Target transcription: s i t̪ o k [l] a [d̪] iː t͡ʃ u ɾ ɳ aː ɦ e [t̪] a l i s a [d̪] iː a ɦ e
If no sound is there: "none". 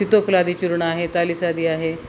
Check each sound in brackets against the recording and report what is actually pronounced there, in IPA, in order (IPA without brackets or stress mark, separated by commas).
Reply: l, d̪, t̪, d̪